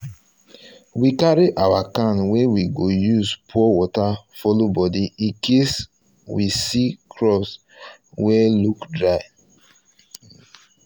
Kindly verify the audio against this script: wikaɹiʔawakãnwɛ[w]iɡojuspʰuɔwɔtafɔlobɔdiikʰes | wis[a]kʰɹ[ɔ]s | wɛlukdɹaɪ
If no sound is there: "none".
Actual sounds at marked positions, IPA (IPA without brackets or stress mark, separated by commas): w, i, ɔ